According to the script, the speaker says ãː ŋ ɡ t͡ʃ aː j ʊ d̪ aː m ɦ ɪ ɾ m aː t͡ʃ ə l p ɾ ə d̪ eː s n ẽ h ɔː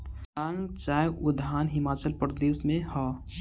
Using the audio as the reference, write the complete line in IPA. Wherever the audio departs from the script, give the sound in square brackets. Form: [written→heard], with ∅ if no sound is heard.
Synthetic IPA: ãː ŋ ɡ t͡ʃ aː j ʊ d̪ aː [m→n] ɦ ɪ [ɾ→∅] m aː t͡ʃ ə l p ɾ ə d̪ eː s [n→m] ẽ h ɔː